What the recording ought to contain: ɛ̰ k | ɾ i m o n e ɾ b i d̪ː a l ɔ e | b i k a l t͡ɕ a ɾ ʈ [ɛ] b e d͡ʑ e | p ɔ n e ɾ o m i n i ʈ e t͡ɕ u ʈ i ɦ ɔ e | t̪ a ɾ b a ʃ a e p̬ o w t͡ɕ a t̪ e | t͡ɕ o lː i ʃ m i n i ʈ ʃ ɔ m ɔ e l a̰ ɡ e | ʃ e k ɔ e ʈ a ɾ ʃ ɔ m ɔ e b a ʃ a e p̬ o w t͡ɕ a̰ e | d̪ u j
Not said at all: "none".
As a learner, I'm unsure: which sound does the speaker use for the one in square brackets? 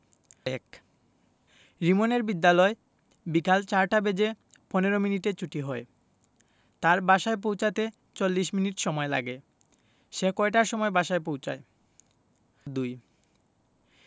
a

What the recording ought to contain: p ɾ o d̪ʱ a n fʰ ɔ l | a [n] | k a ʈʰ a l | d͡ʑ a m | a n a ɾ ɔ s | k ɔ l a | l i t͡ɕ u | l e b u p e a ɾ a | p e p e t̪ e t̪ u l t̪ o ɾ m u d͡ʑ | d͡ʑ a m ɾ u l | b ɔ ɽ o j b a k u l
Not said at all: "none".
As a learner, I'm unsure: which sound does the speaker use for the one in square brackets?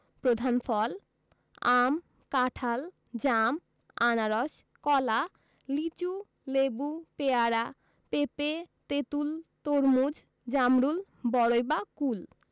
m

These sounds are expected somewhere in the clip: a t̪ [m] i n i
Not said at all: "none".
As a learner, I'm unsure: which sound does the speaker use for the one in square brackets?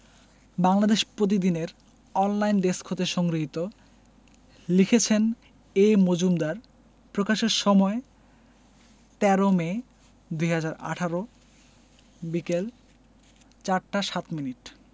m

